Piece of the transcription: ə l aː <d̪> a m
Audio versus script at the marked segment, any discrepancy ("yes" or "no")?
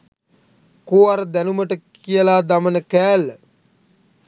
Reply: no